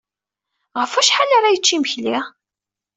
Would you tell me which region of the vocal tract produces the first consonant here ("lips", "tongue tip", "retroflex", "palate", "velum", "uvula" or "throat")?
uvula